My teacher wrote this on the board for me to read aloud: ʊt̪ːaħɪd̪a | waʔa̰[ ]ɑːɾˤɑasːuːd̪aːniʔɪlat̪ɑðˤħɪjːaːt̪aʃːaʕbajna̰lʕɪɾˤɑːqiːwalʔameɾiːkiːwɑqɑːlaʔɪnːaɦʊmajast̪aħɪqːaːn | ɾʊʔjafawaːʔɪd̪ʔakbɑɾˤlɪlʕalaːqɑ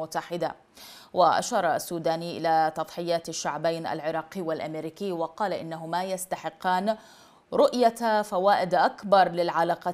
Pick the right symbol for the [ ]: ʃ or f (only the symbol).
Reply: ʃ